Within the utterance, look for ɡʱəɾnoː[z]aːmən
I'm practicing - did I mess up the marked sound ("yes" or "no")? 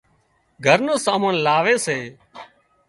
yes